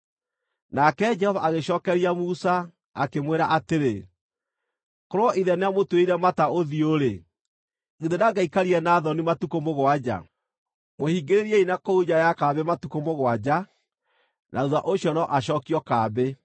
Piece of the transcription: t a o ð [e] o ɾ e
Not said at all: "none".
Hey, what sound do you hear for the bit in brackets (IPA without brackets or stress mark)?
i